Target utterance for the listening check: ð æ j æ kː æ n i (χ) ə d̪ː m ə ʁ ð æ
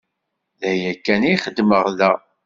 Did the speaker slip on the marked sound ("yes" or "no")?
no